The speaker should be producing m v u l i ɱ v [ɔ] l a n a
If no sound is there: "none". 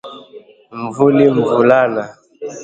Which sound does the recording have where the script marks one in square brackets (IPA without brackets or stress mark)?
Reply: u